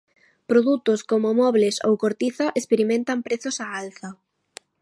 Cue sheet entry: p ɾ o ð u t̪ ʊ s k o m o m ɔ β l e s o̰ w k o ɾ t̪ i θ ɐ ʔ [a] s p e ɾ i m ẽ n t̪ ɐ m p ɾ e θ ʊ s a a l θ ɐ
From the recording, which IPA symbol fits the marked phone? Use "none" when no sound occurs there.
e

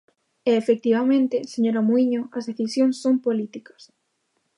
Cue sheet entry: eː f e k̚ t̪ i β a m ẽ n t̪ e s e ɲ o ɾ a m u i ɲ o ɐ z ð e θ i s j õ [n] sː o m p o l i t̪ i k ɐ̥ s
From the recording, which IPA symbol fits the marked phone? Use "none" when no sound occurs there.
ŋ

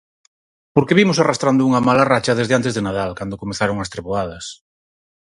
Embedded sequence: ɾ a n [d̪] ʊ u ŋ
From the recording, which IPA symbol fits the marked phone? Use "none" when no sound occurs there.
d̪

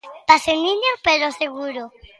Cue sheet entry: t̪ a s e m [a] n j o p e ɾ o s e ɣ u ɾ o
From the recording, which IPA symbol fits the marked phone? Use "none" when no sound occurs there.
i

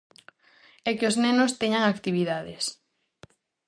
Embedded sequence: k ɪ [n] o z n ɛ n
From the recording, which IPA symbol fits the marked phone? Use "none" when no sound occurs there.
none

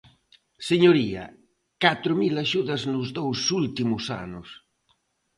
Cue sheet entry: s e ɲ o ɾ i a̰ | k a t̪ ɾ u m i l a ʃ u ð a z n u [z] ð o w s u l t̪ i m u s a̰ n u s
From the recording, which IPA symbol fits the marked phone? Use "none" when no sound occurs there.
z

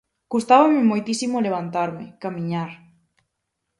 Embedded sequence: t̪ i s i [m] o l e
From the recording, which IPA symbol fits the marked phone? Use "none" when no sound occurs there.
m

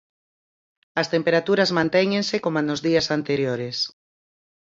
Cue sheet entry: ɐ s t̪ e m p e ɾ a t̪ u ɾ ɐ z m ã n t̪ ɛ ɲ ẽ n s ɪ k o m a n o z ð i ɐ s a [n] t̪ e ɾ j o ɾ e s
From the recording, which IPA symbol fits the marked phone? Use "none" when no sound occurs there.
n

